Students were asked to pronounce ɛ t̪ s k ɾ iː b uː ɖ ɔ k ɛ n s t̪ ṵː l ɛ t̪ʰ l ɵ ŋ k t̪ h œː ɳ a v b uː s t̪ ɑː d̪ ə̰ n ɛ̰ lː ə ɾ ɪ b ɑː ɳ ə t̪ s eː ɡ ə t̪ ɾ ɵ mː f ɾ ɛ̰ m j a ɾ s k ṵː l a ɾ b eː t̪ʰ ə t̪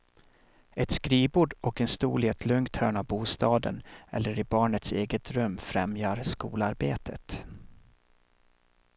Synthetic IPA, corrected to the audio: ɛ t̪ s k ɾ iː b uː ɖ ɔ k ɛ n s t̪ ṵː l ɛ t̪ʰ l ɵ ŋ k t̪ h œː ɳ a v b uː s t̪ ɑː d̪ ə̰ n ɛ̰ lː ə ɾ ɪ b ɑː ɳ ə t̪ s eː ɡ ə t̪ ɾ ɵ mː f ɾ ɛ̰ m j a ɾ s k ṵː l a ɾ b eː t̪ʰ ə t̪

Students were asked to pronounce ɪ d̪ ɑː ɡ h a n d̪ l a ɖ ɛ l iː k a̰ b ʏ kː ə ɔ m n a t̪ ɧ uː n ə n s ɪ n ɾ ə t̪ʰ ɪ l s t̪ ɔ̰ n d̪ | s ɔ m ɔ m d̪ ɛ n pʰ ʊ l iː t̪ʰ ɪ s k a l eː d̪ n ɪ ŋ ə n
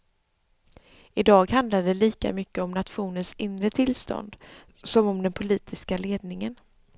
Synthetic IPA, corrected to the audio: ɪ d̪ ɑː ɡ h a n d̪ l a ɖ ɛ l iː k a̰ m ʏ kː ə ɔ m n a t̪ ɧ uː n ə n s ɪ n ɾ ə t̪ʰ ɪ l s t̪ ɔ̰ n d̪ | s ɔ m ɔ m d̪ ɛ n pʰ ʊ l iː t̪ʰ ɪ s k a l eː d̪ n ɪ ŋ ə n

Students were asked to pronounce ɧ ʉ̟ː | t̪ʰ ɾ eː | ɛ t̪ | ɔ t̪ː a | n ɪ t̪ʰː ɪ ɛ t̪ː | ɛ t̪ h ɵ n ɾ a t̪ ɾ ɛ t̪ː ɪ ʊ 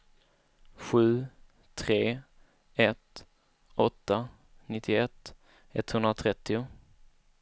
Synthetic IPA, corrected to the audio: ɧ ʉ̟ː | t̪ʰ ɾ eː | ɛ t̪ | ɔ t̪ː a | n ɪ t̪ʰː ɪ ɛ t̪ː | ɛ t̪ h ɵ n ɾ a t̪ʰ ɾ ɛ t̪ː ɪ ʊ

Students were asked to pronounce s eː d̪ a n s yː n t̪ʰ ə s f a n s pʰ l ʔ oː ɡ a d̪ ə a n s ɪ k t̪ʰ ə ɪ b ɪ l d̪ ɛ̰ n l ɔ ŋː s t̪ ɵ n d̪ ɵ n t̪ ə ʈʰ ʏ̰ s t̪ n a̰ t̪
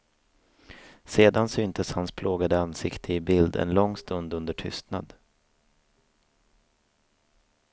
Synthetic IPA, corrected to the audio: s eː d̪ a n s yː n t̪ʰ ə s h a n s pʰ l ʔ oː ɡ a d̪ ə a n s ɪ k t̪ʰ ə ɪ b ɪ l d̪ ɛ̰ n l ɔ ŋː s t̪ ɵ n d̪ ɵ n d̪ ə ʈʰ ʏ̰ s t̪ n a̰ d̪

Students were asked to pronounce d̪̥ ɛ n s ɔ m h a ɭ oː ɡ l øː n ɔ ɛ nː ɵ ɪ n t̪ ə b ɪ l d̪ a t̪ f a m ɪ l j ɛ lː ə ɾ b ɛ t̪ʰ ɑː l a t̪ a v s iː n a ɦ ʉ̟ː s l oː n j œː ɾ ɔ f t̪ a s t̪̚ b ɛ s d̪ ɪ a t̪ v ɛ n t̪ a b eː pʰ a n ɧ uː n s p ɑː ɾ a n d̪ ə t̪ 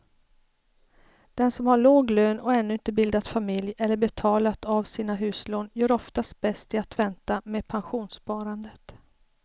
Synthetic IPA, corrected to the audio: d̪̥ ɛ n s ɔ m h a ɭ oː ɡ l øː n ɔ ɛ nː ɵ ɪ n t̪ ə b ɪ l d̪ a t̪ f a m ɪ l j ɛ lː ə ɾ b ɛ t̪ʰ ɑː l a t̪ a v s iː n a ɦ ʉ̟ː s l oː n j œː ɾ ɔ f t̪ a s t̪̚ b ɛ s t̪ ɪ a t̪ v ɛ n t̪ a m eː pʰ a n ɧ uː n s p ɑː ɾ a n d̪ ə t̪

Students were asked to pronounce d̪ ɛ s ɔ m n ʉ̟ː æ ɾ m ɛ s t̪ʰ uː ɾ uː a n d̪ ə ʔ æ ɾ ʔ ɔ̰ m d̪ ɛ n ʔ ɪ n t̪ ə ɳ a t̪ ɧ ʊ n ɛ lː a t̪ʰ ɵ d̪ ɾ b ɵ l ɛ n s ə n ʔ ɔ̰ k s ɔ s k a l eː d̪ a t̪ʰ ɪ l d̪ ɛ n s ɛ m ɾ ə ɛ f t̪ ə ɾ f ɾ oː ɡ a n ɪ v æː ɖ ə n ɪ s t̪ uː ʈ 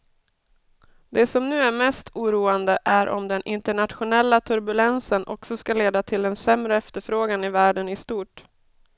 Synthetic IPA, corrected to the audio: d̪ ɛ s ɔ m n ʉ̟ː æ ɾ m ɛ s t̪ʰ uː ɾ uː a n d̪ ə ʔ æ ɾ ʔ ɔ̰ m d̪ ɛ n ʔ ɪ n t̪ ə ɳ a t̪ ɧ ʊ n ɛ lː a t̪ʰ ɵ ɾ b ɵ l ɛ n s ə n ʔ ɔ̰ k s ɔ s k a l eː d̪ a t̪ʰ ɪ l d̪ ɛ n s ɛ m ɾ ə ɛ f t̪ ə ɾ f ɾ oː ɡ a n ɪ v æː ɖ ə n ɪ s t̪ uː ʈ

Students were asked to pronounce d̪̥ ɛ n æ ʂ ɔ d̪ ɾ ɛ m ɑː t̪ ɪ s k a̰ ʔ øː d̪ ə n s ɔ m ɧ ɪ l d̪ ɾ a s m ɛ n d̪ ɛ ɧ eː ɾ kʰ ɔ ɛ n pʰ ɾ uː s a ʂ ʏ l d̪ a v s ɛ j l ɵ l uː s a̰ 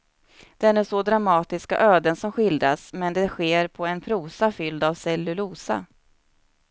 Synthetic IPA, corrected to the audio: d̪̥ ɛ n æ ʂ ɔ d̪ ɾ a m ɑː t̪ ɪ s k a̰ ʔ øː d̪ ə n s ɔ m ɧ ɪ l d̪ ɾ a s m ɛ n d̪ ɛ ɧ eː ɾ pʰ ɔ ɛ n pʰ ɾ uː s a f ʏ l d̪ a v s ɛ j l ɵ l uː s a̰

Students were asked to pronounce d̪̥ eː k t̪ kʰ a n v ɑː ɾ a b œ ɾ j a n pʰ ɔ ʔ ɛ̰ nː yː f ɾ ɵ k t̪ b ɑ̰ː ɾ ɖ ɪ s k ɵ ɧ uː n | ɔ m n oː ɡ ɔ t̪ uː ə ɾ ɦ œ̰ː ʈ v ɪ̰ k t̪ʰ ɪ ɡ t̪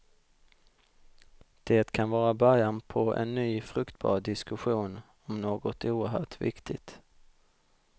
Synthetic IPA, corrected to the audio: d̪̥ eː t̪ kʰ a n v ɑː ɾ a b œ ɾ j a n pʰ ɔ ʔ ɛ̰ nː yː f ɾ ɵ k t̪ b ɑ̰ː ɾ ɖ ɪ s k ɵ ɧ uː n | ɔ m n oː ɡ ɔ t̪ uː ə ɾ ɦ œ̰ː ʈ v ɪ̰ k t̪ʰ ɪ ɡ t̪

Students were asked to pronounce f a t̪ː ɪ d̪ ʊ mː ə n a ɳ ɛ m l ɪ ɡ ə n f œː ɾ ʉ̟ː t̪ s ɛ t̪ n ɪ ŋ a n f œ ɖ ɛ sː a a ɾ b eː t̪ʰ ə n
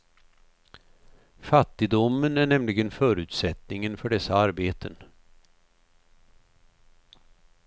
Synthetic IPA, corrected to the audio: f a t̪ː ɪ d̪ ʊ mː ə n æ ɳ ɛ m l ɪ ɡ ə n f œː ɾ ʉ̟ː t̪ s ɛ t̪ n ɪ ŋ ə n f œ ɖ ɛ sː a a ɾ b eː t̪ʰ ə n

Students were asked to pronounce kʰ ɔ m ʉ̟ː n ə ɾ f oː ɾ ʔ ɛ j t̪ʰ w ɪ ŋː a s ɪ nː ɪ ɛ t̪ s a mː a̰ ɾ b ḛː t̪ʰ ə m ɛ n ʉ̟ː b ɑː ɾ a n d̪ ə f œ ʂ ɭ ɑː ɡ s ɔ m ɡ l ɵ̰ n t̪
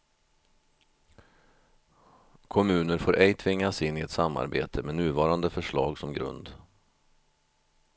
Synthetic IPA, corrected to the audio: kʰ ɔ m ʉ̟ː n ə ɾ f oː ɾ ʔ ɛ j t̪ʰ v ɪ ŋː a s ɪ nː ɪ ɛ t̪ s a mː a̰ ɾ b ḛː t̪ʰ ə m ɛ n ʉ̟ː v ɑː ɾ a n d̪ ə f œ ʂ ɭ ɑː ɡ s ɔ m ɡ ɾ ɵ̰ n d̪

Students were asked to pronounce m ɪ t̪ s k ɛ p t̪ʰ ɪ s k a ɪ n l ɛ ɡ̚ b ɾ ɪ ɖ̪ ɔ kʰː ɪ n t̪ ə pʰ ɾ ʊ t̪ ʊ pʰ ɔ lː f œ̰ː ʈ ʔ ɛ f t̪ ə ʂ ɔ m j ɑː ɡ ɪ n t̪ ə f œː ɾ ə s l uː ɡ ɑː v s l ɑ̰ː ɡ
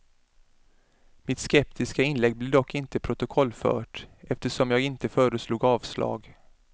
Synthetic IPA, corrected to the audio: m ɪ t̪ s k ɛ p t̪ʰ ɪ s k a ɪ n l ɛ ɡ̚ b l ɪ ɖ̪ ɔ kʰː ɪ n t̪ ə pʰ ɾ ʊ t̪ ʊ kʰ ɔ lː f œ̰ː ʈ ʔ ɛ f t̪ ə ʂ ɔ m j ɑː ɡ ɪ n t̪ ə f œː ɾ ə s l uː ɡ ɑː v s l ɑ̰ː ɡ

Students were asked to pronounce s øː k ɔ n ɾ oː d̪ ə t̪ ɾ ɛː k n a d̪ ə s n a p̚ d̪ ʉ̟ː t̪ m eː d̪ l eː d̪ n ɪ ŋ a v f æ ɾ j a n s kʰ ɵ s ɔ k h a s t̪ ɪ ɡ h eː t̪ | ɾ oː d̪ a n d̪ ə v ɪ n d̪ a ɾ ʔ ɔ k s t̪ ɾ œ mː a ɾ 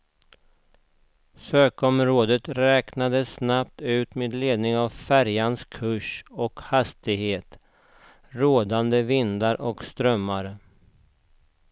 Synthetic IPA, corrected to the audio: s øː k ɔ m ɾ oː d̪ ə t̪ ɾ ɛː k n a d̪ ə s n a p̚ t̪ ʉ̟ː t̪ m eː d̪ l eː d̪ n ɪ ŋ a v f æ ɾ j a n s kʰ ɵ ʂ ɔ k h a s t̪ ɪ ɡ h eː t̪ | ɾ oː d̪ a n d̪ ə v ɪ n d̪ a ɾ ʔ ɔ k s t̪ ɾ œ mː a ɾ

